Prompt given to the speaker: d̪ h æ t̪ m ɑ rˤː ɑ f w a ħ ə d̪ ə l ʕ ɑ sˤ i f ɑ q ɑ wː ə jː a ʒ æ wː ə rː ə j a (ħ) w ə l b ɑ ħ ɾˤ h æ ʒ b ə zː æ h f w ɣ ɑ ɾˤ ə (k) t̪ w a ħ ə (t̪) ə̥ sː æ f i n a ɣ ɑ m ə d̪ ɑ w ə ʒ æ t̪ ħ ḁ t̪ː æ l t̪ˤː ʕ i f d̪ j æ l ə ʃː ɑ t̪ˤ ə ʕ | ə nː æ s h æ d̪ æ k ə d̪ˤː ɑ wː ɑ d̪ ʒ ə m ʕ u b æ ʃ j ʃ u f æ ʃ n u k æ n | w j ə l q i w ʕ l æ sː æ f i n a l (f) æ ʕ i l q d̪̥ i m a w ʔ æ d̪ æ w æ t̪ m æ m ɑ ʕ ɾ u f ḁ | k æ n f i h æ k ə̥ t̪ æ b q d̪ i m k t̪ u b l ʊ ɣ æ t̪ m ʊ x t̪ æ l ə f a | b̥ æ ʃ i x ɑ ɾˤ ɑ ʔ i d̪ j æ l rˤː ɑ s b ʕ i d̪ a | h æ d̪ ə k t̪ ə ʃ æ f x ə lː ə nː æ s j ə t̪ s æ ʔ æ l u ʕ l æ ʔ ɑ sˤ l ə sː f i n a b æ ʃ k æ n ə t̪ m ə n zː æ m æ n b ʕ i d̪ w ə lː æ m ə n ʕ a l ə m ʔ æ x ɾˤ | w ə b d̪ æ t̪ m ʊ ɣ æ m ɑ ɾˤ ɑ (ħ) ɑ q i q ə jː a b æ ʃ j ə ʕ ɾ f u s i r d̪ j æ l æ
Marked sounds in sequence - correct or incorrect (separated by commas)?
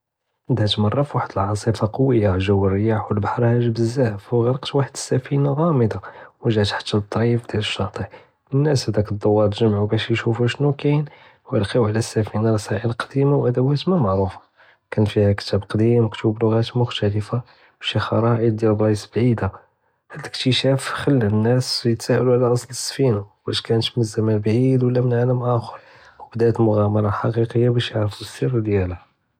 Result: correct, incorrect, incorrect, incorrect, correct